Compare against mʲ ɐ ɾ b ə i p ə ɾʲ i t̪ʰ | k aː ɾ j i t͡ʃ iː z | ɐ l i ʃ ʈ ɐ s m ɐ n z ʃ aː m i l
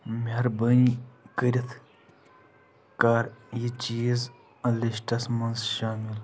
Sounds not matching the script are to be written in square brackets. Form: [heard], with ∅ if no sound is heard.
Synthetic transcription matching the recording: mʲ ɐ ɾ b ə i [k] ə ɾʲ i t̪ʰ | k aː ɾ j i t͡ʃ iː z | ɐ l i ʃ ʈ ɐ s m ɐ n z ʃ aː m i l